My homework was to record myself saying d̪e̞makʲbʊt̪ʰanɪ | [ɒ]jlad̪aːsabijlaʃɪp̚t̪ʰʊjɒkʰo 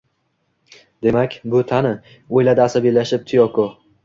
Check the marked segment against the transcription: incorrect: o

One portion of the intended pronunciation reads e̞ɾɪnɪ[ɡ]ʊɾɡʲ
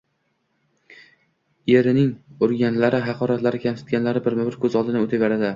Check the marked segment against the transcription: incorrect: ŋ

